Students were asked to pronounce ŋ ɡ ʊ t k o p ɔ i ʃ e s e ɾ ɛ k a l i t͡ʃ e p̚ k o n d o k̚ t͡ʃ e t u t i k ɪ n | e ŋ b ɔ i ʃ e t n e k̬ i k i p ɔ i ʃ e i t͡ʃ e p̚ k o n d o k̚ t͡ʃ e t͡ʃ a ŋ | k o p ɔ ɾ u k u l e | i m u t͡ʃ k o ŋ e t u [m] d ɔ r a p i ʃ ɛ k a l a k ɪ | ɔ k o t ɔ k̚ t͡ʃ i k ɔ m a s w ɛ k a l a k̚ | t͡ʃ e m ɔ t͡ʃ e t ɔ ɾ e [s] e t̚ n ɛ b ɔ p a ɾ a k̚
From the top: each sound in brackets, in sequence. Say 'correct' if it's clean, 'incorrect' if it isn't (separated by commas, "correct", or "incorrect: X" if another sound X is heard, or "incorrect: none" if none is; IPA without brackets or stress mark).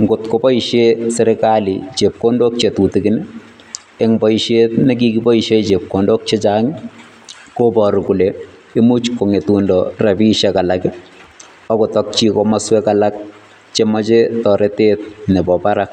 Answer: incorrect: n, incorrect: t